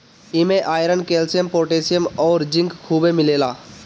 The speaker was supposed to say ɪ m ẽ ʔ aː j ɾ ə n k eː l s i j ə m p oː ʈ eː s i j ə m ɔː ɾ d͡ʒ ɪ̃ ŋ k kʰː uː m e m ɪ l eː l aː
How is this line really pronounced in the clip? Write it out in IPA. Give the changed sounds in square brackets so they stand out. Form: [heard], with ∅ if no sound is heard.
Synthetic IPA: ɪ m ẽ ʔ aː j ɾ ə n k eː l s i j ə m p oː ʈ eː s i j ə m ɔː ɾ d͡ʒ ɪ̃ ŋ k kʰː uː [b] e m ɪ l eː l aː